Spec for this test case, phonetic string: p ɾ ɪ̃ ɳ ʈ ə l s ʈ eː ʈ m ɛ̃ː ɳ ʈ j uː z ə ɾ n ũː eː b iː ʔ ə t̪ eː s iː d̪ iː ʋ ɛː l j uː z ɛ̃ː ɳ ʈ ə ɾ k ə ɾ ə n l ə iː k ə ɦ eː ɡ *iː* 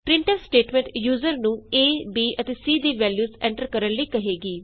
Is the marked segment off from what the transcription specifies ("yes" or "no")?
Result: no